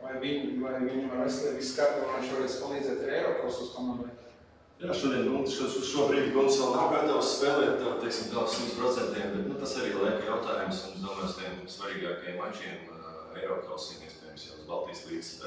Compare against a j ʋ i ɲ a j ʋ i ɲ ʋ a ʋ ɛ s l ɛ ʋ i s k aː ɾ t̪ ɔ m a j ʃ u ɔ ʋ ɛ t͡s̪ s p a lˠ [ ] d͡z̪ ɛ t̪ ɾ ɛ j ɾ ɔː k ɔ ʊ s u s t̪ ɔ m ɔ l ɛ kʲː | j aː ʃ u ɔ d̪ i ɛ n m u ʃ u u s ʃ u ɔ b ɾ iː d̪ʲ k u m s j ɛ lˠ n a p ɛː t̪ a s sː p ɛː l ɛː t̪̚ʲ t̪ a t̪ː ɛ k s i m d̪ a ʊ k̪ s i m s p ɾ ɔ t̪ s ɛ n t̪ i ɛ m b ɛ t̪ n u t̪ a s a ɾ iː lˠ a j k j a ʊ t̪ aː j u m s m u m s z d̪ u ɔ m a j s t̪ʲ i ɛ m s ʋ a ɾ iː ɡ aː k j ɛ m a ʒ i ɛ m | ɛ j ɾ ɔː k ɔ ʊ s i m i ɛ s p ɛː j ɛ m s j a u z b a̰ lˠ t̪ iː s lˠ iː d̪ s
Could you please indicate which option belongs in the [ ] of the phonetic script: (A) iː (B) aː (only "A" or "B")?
A